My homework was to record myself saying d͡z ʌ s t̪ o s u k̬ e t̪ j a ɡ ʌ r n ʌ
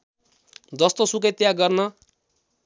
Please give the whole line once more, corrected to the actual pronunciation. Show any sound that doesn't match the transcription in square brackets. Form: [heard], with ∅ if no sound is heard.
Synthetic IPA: d͡z ʌ s t̪ o s u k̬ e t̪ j a ɡ ʌ r n ʌ

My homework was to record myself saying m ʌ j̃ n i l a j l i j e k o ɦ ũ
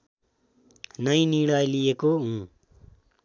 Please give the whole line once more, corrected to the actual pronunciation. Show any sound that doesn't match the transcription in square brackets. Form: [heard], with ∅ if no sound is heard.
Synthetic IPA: [n] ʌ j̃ n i [ɽ] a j l i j e k o ɦ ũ

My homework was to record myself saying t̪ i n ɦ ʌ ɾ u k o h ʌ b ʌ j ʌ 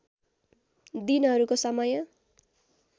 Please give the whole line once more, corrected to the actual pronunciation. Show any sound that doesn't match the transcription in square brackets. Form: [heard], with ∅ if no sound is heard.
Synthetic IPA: [d̪] i n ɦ ʌ ɾ u k o [s] ʌ [m] ʌ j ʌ

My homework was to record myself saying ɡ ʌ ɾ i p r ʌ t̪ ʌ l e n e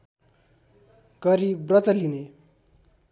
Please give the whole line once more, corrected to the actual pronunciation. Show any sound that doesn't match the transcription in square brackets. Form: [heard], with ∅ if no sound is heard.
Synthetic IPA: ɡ ʌ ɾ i [b] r ʌ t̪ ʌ l [i] n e

